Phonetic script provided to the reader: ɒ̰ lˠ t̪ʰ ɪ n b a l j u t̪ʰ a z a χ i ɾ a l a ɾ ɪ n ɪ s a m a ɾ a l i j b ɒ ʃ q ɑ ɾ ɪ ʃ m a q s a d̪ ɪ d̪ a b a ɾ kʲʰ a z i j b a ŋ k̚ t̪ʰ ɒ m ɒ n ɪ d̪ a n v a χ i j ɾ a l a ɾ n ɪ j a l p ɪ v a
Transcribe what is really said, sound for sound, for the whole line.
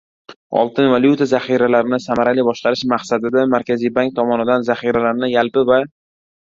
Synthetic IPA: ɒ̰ lˠ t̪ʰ ɪ n v a l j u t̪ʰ a z a χ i ɾ a l a ɾ ɪ n ɪ s a m a ɾ a l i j b ɒ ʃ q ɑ ɾ ɪ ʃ m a q s a d̪ ɪ d̪ a m a ɾ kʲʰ a z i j b a ŋ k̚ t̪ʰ ɒ m ɒ n ɪ d̪ a n z a χ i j ɾ a l a ɾ n ɪ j a l p ɪ v a